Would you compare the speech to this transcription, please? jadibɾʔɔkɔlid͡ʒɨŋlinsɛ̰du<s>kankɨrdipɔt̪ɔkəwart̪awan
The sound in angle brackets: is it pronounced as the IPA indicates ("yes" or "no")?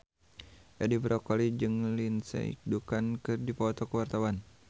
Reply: no